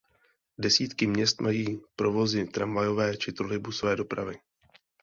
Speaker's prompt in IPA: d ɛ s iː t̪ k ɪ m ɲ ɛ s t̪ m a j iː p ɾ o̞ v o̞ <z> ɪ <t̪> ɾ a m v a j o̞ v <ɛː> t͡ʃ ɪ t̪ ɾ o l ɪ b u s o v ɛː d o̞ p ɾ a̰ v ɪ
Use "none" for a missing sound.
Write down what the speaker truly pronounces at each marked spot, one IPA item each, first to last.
z, t̪, ɛː

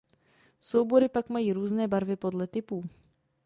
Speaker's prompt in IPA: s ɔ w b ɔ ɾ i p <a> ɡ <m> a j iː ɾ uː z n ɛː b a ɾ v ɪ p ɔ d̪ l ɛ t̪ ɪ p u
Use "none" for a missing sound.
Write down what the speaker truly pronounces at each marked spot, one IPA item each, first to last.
a, m

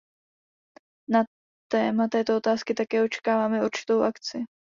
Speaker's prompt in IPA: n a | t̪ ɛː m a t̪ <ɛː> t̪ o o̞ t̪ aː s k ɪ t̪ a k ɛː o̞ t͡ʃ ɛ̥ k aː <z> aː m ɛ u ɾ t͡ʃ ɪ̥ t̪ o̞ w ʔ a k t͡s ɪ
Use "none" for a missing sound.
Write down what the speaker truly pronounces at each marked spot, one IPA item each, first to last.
ɛː, v

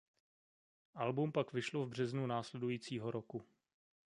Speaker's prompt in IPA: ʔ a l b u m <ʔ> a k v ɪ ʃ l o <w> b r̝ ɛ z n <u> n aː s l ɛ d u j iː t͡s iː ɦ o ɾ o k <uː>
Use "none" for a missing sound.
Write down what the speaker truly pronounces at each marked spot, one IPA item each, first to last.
p, v, u, u

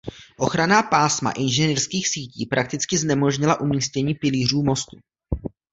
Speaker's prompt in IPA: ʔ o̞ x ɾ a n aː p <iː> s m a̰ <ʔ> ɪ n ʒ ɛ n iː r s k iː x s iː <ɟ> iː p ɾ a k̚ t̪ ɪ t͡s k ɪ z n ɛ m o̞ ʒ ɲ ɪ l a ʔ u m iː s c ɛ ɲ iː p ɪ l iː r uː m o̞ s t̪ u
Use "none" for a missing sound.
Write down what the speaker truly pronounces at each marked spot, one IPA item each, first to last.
aː, ʔ, c

